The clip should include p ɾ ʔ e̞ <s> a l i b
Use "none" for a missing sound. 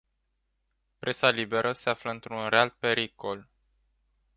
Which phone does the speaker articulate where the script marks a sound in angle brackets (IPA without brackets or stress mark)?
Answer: s